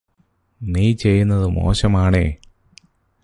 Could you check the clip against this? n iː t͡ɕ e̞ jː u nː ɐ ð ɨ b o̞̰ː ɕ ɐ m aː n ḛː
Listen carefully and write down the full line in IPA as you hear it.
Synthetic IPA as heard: n iː t͡ɕ e̞ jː u nː ɐ ð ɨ m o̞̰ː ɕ ɐ m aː ɳ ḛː

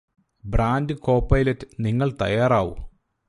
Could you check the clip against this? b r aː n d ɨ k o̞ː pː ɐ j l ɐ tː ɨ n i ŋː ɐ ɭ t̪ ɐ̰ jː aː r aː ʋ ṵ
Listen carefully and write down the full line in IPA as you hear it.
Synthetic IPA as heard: b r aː n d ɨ k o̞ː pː ɐ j l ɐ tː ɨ n i ŋː ɐ ɭ t̪ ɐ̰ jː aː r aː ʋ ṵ

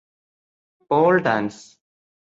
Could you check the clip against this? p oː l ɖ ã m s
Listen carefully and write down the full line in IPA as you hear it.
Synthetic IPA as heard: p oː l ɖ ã n s

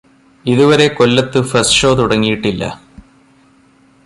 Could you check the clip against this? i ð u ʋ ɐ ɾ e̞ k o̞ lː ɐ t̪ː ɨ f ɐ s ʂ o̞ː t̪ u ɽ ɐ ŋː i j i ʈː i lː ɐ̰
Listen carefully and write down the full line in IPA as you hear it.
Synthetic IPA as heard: i ð u ʋ ɐ ɾ e̞ k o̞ lː ɐ t̪ː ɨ f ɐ s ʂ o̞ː t̪ u ɽ ɐ ŋː i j i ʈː i lː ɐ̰

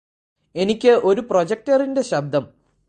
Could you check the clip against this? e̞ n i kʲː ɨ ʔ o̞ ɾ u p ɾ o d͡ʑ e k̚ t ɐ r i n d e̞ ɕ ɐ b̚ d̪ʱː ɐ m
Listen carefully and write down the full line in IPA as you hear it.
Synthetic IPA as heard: e̞ n i kʲː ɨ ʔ o̞ ɾ u p r o d͡ʑ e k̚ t ɐ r i n d e̞ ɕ ɐ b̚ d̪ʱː ɐ m

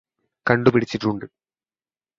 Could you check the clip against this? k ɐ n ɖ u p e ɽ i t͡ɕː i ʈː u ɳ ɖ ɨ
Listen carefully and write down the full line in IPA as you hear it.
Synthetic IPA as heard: k ɐ ɳ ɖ u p i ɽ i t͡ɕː i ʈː u ɳ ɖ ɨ

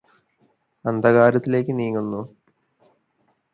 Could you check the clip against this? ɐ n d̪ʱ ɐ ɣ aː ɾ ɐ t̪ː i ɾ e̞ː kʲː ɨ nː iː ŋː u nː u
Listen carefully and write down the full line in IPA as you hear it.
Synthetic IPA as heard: ɐ n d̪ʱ ɐ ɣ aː ɾ ɐ t̪ː i l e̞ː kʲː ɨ n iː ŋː u nː u

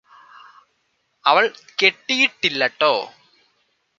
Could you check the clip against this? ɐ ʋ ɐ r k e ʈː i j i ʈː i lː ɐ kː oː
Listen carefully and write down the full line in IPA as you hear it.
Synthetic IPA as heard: ɐ ʋ ɐ ɭ k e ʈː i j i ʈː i lː ɐ ʈː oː

